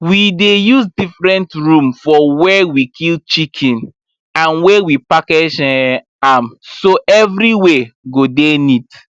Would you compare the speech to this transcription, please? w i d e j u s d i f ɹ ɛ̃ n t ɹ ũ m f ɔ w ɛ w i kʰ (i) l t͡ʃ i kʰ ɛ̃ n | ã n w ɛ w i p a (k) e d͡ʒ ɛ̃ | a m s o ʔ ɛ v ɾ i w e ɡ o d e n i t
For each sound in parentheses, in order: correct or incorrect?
correct, correct

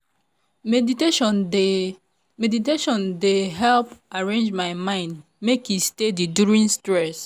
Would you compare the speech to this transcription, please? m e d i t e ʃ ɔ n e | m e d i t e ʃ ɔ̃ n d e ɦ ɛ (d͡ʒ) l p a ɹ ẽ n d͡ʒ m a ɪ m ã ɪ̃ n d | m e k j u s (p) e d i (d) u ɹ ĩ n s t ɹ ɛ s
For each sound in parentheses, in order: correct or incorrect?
incorrect, incorrect, correct

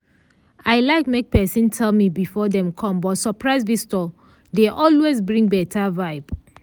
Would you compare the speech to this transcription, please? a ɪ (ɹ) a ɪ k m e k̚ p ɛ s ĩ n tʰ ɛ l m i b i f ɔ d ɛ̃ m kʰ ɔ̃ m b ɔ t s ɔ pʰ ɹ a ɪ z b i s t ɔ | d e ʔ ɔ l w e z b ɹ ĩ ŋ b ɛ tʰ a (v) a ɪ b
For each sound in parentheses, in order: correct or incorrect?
incorrect, correct

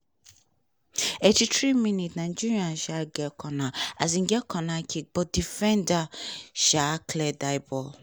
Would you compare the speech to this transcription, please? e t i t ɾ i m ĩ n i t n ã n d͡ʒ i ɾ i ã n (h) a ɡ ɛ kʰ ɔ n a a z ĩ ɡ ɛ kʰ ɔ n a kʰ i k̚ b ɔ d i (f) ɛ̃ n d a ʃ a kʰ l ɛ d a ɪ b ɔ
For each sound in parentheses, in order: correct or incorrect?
incorrect, correct

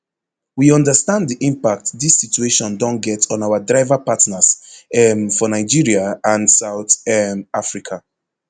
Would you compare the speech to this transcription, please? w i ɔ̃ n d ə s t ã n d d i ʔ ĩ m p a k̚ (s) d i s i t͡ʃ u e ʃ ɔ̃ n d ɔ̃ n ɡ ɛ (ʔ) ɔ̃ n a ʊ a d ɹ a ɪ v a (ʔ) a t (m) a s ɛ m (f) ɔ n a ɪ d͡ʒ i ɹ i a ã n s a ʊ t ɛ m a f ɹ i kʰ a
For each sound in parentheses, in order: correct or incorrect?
incorrect, incorrect, incorrect, incorrect, correct

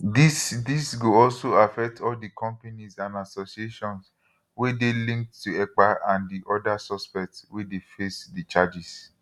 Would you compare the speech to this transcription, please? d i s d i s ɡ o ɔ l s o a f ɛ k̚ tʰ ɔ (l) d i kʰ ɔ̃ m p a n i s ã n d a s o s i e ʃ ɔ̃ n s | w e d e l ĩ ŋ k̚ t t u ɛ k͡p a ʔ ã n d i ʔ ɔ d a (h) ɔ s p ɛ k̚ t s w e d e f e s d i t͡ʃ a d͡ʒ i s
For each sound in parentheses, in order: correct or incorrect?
correct, incorrect

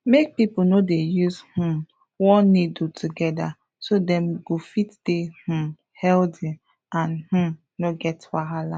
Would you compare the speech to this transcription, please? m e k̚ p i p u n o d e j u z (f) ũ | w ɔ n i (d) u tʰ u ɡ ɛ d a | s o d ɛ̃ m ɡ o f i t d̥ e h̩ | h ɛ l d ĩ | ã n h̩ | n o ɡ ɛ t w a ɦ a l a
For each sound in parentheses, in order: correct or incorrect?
incorrect, correct

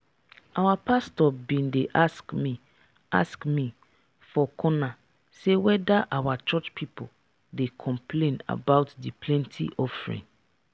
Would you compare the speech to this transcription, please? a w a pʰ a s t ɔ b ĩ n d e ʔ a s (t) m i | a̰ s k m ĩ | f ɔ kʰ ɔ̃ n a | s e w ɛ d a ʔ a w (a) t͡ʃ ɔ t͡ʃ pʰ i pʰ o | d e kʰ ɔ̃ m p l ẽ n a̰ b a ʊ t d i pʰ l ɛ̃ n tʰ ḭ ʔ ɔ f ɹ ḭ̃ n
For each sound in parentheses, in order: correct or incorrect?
incorrect, correct

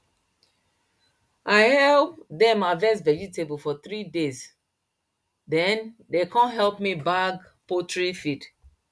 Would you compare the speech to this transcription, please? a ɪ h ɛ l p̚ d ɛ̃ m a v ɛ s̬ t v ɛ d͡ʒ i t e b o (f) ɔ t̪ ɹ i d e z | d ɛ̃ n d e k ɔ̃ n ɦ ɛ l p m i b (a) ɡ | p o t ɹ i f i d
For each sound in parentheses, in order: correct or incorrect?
correct, correct

